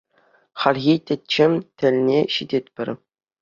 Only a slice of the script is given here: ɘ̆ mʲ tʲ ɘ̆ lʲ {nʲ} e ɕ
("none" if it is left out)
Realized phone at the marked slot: nʲ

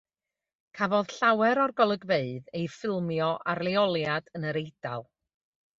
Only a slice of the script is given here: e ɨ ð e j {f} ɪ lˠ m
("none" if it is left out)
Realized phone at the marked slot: f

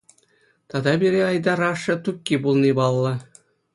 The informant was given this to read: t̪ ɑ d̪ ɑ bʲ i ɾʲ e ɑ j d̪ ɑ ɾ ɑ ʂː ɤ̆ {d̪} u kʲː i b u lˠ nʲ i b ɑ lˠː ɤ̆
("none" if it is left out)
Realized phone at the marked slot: t̪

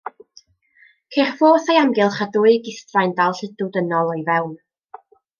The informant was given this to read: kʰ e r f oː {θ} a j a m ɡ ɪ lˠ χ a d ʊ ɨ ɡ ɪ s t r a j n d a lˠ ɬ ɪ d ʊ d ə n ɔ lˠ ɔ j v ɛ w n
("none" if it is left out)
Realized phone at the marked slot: θ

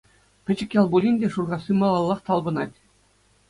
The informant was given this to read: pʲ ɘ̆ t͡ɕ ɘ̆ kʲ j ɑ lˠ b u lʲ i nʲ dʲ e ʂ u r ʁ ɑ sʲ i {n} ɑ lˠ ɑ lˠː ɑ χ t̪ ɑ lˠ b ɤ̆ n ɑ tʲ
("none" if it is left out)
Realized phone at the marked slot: m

